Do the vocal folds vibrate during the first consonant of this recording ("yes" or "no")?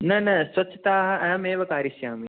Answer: yes